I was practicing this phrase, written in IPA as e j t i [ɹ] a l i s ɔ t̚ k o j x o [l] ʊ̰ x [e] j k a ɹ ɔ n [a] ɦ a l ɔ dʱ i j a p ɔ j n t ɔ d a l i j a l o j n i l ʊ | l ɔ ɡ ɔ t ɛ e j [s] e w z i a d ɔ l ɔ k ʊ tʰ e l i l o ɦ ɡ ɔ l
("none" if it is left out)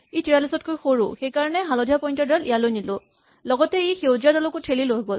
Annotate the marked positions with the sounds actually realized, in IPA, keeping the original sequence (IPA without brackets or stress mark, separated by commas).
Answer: ɹ, ɹ, e, ɛ, x